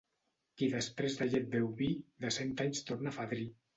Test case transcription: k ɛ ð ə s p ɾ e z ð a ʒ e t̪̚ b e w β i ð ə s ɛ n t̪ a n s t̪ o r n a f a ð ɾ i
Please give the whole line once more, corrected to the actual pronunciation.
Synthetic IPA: k i ð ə s p ɾ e z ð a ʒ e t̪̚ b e w β i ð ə s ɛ n t̪ a ɲ s t̪ o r n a f a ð ɾ i